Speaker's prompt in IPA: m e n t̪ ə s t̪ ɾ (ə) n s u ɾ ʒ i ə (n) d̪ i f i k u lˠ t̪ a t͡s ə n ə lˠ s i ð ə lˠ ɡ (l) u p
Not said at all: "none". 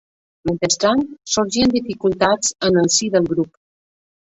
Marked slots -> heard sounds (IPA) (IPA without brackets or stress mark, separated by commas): a, n, ɾ